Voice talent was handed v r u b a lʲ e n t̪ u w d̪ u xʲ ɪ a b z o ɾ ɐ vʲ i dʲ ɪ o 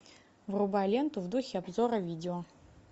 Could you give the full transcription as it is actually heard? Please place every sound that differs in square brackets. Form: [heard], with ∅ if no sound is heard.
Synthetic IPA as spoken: v r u b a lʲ e n t̪ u [v] d̪ u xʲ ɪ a b z o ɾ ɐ vʲ i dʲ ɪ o